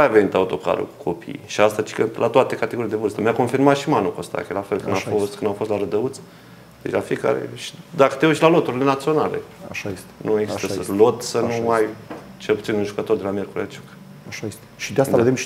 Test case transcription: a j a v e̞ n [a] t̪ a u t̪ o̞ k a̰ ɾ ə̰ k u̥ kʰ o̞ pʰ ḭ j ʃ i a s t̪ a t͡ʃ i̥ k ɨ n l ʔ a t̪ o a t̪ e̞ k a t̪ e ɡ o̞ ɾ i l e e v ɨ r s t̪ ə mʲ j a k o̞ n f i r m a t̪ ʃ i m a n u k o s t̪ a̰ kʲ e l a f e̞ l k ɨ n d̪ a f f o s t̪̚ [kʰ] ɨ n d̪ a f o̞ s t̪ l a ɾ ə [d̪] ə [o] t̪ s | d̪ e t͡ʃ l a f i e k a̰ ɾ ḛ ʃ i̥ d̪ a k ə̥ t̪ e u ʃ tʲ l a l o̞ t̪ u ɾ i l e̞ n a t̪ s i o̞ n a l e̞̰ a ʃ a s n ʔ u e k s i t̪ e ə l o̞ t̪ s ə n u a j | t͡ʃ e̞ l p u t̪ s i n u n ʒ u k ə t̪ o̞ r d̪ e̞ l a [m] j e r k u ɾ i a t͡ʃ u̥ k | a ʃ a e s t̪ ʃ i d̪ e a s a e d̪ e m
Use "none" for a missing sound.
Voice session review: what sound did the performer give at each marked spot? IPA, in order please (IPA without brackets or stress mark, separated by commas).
i, k, d̪, u, m